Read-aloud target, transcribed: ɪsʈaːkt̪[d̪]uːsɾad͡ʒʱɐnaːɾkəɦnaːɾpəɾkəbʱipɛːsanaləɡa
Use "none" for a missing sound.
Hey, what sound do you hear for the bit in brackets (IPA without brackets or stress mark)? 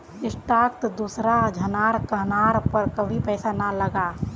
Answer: d̪